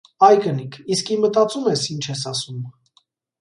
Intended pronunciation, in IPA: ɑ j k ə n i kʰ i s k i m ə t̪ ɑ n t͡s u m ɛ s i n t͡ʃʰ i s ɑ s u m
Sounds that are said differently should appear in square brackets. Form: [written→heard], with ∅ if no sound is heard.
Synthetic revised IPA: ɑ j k ə n i kʰ i s k i m ə t̪ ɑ [n→∅] t͡s u m ɛ s i n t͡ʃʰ [i→ɛ] s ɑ s u m